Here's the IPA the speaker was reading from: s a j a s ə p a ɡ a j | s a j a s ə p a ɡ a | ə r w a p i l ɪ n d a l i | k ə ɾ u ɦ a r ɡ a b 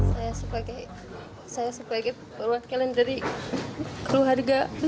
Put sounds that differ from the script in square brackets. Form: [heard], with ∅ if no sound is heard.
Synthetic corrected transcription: s a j a s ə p a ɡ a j | s a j a s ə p a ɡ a | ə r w a [k] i l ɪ n d a [ɾ] i | k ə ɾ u ɦ a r ɡ a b